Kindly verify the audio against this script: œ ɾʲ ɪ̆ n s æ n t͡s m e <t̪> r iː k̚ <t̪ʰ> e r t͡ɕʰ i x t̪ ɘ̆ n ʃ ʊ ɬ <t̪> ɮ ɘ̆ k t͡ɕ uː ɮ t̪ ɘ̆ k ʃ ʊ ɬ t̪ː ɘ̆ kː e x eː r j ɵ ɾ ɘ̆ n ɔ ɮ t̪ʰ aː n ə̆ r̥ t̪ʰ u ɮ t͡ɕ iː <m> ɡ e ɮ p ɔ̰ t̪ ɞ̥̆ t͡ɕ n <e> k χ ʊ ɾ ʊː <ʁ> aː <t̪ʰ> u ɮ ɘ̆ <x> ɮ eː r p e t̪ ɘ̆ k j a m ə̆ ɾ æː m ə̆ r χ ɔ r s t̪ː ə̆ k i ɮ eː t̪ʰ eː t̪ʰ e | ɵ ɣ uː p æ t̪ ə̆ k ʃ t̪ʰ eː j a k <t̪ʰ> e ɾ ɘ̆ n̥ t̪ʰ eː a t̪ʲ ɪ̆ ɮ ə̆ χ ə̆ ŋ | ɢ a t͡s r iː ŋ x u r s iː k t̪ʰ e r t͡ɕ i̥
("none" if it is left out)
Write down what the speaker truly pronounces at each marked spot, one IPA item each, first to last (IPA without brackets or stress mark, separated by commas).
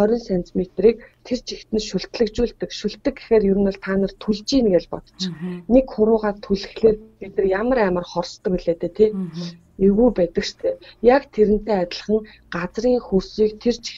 t̪, t̪ʰ, t̪, n, e, ʁ, t̪ʰ, x, t̪ʰ